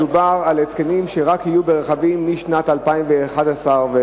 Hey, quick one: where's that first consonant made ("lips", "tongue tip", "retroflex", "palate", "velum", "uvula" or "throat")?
lips